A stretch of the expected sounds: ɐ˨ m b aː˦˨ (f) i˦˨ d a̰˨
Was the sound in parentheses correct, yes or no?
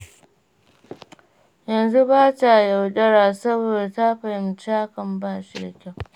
no